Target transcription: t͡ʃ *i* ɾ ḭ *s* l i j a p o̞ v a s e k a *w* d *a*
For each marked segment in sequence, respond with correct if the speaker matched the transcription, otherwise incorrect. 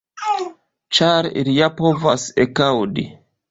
incorrect: a, incorrect: none, correct, incorrect: i

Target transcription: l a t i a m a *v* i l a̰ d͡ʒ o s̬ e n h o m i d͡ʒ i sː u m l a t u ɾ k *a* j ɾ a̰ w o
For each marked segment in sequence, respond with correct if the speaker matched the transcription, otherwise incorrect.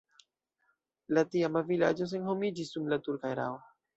correct, correct

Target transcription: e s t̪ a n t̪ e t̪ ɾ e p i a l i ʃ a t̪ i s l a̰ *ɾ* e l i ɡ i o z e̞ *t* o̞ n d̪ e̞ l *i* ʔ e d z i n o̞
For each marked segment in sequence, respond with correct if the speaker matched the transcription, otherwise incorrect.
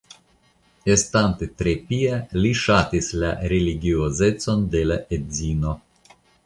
correct, incorrect: t͡s, incorrect: a

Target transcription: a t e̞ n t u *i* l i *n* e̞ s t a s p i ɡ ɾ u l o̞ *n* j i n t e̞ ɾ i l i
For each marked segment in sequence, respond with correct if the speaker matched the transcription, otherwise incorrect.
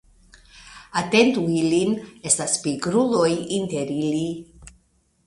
correct, correct, incorrect: none

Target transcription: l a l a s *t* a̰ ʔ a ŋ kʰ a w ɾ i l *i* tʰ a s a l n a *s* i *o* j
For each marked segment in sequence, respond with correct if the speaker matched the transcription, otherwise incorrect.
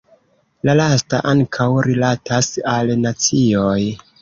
correct, incorrect: a, incorrect: t͡s, correct

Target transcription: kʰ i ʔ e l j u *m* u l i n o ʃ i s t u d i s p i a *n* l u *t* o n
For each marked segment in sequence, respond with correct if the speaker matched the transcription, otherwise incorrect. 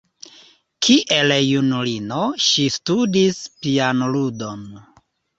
incorrect: n, correct, incorrect: d

